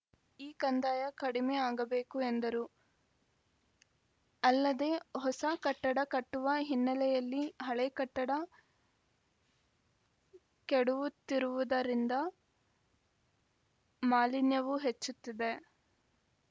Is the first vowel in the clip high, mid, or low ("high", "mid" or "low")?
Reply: high